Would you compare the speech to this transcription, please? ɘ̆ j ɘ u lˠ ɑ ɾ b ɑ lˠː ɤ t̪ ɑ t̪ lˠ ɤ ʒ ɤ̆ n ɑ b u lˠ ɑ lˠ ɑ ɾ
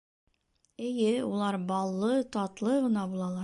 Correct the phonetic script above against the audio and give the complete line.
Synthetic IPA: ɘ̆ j ɘ u lˠ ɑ ɾ b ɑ lˠː ɤ t̪ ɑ t̪ lˠ ɤ ʁ ɤ̆ n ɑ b u lˠ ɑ lˠ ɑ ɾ